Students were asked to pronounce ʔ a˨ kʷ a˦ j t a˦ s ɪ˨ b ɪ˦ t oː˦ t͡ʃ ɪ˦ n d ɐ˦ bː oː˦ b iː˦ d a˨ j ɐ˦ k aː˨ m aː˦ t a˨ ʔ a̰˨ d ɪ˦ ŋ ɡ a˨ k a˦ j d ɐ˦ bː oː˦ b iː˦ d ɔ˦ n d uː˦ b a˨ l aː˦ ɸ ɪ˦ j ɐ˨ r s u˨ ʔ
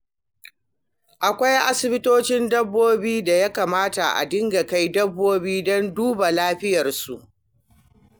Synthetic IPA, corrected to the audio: ʔ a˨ kʷ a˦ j ʔ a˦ s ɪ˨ b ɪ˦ t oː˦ t͡ʃ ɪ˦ n d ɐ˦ bː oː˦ b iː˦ d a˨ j a˦ k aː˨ m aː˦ t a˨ ʔ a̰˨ d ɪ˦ ŋ ɡ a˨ k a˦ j d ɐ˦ bː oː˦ b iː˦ d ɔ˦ n d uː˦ b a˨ l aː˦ ɸ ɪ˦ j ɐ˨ r s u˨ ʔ

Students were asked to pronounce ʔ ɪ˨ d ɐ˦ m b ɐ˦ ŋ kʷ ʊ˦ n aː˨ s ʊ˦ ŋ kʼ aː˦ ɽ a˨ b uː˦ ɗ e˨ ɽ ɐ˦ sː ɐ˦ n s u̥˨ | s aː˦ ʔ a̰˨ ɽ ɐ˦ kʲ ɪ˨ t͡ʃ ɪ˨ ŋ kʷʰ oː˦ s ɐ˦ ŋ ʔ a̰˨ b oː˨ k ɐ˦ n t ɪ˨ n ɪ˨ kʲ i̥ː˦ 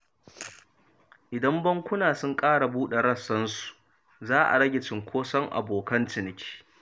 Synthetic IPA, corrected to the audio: ʔ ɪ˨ d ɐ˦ m b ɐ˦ ŋ kʷ ʊ˦ n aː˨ s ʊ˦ ŋ kʼ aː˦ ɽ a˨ b uː˦ ɗ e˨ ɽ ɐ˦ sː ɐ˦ n s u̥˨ | z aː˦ ʔ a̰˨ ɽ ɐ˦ ɡʲ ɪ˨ t͡ʃ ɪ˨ ŋ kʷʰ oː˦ s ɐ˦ ŋ ʔ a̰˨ b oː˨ k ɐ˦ n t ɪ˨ n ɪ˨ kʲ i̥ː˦

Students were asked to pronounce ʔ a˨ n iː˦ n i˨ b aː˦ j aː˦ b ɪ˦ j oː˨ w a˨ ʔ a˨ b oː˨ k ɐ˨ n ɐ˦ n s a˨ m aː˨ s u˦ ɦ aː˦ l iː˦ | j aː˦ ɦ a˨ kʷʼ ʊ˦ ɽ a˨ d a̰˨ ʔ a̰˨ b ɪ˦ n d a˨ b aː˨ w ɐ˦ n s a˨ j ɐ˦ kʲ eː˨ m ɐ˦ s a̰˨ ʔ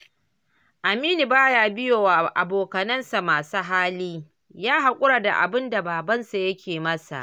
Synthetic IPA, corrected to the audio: ʔ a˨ m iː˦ n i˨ b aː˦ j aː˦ b ɪ˦ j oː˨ w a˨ ʔ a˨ b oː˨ k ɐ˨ n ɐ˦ n s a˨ m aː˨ s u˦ ɦ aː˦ l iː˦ | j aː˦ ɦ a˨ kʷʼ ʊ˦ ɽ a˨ d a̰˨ ʔ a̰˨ b ɪ˦ n d a˨ b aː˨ b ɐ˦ n s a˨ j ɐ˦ kʲ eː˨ m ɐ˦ s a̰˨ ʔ

